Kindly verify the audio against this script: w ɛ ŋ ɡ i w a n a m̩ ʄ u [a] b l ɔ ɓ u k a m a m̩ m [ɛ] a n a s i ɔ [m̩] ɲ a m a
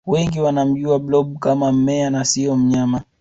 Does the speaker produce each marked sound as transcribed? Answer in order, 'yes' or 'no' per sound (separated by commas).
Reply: yes, yes, yes